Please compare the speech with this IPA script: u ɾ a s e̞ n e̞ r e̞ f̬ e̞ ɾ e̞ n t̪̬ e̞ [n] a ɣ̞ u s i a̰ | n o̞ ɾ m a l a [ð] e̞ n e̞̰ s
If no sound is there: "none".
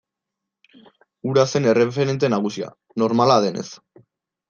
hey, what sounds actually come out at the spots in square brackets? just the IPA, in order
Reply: n, ð

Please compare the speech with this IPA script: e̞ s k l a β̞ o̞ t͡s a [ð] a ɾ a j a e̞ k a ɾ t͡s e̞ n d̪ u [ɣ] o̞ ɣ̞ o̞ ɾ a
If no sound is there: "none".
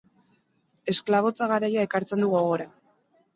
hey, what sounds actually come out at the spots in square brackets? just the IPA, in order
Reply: ɣ, ɣ

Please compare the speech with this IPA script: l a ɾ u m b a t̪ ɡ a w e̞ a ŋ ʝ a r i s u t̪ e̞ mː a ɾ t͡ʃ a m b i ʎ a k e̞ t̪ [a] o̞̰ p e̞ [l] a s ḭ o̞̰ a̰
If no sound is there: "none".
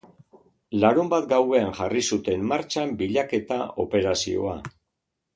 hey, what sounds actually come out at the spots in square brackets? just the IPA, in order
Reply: a, ɾ

